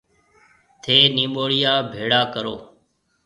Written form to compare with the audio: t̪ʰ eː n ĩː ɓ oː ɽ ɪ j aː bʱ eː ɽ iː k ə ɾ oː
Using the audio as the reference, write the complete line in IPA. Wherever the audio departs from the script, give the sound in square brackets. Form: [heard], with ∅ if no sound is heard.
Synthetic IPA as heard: t̪ʰ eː n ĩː ɓ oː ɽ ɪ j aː bʱ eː ɽ [aː] k ə ɾ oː